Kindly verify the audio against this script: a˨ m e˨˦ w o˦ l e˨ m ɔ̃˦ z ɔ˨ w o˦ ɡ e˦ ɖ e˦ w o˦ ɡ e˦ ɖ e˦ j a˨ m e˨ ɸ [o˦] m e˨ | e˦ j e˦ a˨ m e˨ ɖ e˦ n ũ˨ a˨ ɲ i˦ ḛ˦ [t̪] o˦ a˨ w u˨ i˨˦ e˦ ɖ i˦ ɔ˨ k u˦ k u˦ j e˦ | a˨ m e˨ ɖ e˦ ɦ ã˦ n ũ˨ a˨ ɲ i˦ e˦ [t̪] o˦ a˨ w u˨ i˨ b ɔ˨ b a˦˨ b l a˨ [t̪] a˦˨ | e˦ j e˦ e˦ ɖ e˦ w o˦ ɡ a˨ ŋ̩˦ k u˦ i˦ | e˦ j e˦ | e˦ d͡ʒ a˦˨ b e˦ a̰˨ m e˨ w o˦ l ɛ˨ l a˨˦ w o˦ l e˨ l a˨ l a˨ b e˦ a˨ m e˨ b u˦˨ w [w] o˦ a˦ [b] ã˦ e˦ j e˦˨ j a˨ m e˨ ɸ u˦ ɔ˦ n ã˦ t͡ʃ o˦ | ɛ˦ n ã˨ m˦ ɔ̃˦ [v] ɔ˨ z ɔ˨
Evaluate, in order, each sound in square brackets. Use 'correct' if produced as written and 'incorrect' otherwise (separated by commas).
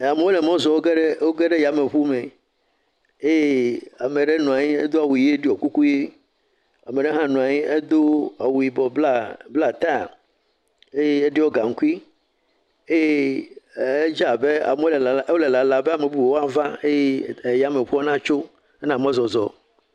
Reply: incorrect, incorrect, incorrect, correct, correct, incorrect, incorrect